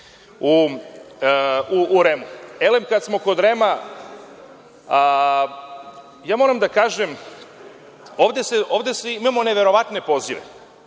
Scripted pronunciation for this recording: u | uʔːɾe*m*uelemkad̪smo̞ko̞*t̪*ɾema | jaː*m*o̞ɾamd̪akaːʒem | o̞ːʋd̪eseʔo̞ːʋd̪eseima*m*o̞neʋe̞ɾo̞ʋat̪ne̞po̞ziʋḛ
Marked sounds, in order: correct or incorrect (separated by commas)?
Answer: correct, incorrect, correct, correct